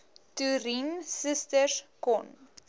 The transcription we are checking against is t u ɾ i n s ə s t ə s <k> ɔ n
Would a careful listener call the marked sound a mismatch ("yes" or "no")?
no